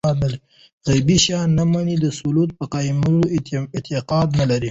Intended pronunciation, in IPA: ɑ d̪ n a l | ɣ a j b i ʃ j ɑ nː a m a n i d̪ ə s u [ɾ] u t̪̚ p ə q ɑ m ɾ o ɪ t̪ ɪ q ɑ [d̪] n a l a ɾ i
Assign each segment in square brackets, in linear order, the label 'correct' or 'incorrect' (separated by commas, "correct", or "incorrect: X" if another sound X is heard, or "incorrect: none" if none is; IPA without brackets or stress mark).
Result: incorrect: l, correct